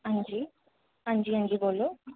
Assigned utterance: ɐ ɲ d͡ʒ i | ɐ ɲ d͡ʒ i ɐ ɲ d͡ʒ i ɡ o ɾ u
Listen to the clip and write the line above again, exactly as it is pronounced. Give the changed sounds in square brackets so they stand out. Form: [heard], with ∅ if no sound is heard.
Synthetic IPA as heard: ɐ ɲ d͡ʒ i | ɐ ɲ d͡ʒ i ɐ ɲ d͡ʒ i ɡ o [l] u